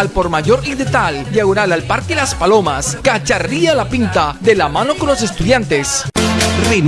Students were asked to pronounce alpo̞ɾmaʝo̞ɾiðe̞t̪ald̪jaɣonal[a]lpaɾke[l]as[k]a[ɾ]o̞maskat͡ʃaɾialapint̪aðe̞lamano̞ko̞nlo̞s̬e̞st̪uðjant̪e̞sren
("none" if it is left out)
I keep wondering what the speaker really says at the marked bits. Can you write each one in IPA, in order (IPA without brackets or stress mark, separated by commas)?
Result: a, l, p, l